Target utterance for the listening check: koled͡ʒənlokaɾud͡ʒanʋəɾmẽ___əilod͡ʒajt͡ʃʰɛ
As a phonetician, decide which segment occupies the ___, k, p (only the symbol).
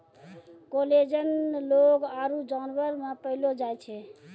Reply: p